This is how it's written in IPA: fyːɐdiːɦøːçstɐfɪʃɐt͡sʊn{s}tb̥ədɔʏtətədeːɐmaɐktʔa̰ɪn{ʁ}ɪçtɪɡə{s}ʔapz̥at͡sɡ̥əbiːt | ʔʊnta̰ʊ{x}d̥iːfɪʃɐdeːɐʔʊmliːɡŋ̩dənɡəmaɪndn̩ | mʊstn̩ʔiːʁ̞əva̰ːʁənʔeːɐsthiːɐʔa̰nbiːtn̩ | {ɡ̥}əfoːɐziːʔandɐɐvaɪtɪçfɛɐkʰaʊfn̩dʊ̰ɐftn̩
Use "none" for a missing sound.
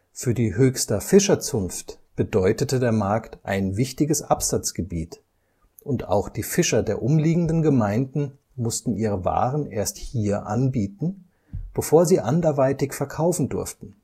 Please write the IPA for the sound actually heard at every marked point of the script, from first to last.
f, v, s, x, b̥

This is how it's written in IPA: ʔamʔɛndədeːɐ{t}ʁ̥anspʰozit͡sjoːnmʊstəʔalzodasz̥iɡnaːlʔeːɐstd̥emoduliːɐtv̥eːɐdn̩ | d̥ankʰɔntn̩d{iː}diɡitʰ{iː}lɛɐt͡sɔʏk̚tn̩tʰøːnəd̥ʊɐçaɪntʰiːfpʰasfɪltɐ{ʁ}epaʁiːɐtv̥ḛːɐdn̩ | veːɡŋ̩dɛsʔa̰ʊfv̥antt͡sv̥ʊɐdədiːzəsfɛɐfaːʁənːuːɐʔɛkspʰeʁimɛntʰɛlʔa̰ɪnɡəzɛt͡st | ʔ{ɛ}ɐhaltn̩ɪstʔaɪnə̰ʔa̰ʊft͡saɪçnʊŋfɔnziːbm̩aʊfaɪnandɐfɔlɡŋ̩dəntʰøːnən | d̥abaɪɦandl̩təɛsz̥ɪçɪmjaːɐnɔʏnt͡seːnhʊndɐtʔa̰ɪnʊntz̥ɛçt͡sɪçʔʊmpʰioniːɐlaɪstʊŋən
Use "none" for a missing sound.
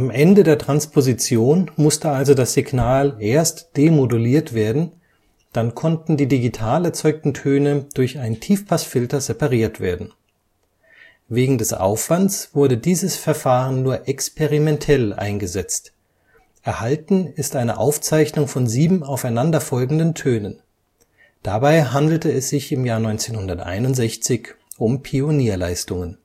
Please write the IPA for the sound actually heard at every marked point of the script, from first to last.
t, iː, aː, z, ɛ

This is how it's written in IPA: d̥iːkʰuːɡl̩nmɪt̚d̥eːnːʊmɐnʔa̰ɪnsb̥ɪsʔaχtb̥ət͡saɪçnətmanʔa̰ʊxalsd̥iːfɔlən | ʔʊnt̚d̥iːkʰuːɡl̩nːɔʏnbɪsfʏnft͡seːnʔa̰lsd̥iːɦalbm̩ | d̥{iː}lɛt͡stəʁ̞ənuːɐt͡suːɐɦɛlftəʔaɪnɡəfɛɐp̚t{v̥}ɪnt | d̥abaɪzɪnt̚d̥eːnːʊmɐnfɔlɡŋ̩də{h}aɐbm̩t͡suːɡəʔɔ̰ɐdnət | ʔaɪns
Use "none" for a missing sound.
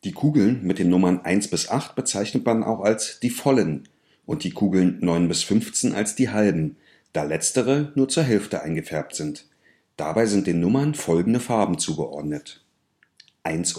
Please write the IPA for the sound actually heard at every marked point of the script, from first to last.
aː, z̥, f

